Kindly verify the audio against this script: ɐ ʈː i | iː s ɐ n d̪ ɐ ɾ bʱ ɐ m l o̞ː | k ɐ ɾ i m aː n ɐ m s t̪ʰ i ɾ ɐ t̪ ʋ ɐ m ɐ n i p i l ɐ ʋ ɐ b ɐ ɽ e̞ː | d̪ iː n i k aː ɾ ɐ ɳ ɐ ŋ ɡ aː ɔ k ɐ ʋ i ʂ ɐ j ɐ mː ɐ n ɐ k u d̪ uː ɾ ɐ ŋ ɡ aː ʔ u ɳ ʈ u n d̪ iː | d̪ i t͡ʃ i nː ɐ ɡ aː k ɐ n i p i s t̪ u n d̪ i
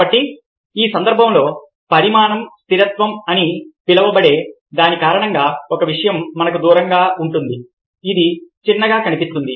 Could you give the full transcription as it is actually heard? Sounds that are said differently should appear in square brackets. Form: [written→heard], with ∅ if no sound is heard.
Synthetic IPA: ɐ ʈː i | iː s ɐ n d̪ ɐ ɾ bʱ ɐ m l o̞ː | [k→p] ɐ ɾ i m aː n ɐ m s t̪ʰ i ɾ ɐ t̪ ʋ ɐ m ɐ n i p i l ɐ ʋ ɐ b ɐ ɽ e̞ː | d̪ [iː→aː] n i k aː ɾ ɐ ɳ ɐ ŋ ɡ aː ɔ k ɐ ʋ i ʂ ɐ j ɐ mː ɐ n ɐ k u d̪ uː ɾ ɐ ŋ ɡ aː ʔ u ɳ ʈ u n d̪ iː | d̪ i t͡ʃ i nː ɐ ɡ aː k ɐ n i p i s t̪ u n d̪ i

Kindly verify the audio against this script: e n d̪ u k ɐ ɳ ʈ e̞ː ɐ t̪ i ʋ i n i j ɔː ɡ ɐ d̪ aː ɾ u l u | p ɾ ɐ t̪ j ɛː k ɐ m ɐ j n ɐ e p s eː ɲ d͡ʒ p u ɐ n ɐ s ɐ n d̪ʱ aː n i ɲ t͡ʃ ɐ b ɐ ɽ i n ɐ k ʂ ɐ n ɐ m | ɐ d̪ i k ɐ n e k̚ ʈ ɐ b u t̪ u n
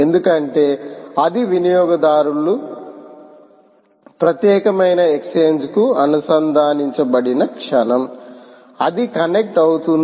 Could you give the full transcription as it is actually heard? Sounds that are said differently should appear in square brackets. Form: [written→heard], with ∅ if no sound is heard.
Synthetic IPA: e n d̪ u k ɐ ɳ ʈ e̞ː ɐ [t̪→d̪] i ʋ i n i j ɔː ɡ ɐ d̪ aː ɾ u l u | p ɾ ɐ t̪ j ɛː k ɐ m ɐ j n ɐ e [p→k] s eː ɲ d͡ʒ [p→k] u ɐ n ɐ s ɐ n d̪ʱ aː n i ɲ t͡ʃ ɐ b ɐ ɽ i n ɐ k ʂ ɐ n ɐ m | ɐ d̪ i k ɐ n e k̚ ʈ ɐ [b→w] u t̪ u n

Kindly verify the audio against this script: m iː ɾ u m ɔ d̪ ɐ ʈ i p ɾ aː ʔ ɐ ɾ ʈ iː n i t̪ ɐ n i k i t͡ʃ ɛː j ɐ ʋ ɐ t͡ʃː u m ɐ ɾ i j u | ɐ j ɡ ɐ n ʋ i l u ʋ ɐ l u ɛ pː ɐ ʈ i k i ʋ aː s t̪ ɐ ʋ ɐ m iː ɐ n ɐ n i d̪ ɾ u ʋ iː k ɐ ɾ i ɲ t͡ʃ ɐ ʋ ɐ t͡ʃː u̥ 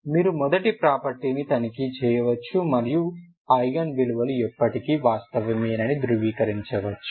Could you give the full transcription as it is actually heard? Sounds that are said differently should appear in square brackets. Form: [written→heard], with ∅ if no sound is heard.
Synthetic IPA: m iː ɾ u m ɔ d̪ ɐ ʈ i p ɾ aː [ʔ→p] ɐ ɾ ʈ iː n i t̪ ɐ n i k i t͡ʃ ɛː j ɐ ʋ ɐ t͡ʃː u m ɐ ɾ i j u | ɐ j ɡ ɐ n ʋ i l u ʋ ɐ l u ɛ pː ɐ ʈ i k i ʋ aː s t̪ ɐ ʋ ɐ m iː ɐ n ɐ n i d̪ ɾ u ʋ iː k ɐ ɾ i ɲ t͡ʃ ɐ ʋ ɐ t͡ʃː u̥

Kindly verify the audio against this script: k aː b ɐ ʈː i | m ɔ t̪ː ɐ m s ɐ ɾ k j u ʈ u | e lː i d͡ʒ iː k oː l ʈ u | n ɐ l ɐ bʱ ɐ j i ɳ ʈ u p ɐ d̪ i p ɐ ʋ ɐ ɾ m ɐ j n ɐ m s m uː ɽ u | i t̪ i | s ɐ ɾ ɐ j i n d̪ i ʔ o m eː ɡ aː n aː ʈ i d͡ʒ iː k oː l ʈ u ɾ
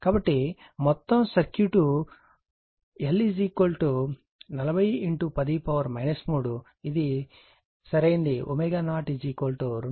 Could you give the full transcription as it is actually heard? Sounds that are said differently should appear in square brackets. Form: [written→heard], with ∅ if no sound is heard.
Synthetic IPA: k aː b ɐ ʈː i | m ɔ t̪ː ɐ m s ɐ ɾ k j u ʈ u | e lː i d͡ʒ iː k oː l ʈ u | n ɐ l ɐ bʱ ɐ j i ɳ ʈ u p ɐ d̪ i p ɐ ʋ ɐ ɾ m ɐ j n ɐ [m→∅] s m uː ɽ u | i [t̪→d̪] i | s ɐ ɾ ɐ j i n d̪ i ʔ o m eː ɡ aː n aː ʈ i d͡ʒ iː k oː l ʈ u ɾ

